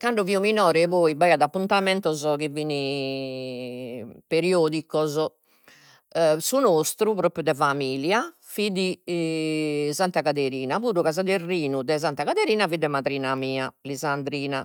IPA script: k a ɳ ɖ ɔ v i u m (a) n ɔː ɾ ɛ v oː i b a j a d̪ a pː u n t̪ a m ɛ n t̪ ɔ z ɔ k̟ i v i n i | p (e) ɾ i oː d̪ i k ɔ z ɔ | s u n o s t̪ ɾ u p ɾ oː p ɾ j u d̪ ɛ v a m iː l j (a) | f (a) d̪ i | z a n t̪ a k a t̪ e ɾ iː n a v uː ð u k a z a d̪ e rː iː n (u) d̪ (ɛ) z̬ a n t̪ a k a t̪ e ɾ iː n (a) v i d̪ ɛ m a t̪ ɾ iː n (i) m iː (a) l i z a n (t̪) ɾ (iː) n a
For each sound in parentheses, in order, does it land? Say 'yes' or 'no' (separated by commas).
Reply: no, yes, yes, no, yes, yes, yes, no, yes, no, yes